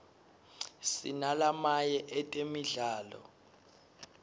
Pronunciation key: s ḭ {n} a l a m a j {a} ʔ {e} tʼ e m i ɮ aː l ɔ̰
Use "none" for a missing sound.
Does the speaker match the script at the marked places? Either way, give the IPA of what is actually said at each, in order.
n, ɛ, ɛ

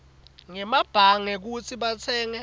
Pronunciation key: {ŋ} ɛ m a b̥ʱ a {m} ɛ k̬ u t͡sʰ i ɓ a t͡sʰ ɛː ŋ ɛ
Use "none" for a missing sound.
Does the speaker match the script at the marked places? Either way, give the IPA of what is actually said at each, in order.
ŋ, ŋ

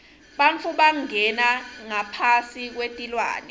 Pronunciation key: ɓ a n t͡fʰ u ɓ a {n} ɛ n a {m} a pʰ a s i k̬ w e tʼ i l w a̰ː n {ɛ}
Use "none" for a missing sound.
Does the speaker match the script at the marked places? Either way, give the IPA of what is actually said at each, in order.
ŋ, ŋ, ɛ

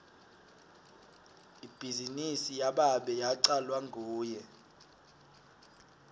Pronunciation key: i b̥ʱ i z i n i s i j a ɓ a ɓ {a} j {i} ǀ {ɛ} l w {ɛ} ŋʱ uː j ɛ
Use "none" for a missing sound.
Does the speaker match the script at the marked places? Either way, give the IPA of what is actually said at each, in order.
ɛ, a, a, a

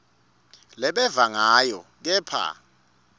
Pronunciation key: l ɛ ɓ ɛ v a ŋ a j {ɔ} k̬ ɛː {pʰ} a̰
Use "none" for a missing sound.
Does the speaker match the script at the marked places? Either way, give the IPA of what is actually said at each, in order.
ɔ, pʰ

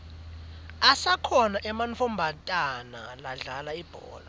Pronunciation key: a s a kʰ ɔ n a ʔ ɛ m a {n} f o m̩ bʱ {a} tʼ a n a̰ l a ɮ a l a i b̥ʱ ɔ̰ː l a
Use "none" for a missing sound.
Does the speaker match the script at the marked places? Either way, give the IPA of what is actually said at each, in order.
n, a

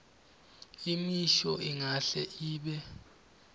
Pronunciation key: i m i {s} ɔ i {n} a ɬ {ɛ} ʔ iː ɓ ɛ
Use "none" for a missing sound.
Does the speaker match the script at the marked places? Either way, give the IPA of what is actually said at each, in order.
ʃ, ŋ, ɛ

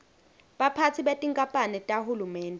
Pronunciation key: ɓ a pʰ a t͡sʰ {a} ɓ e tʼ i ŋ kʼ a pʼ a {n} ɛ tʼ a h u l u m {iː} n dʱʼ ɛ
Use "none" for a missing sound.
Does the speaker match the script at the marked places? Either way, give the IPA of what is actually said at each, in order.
i, n, ɛː

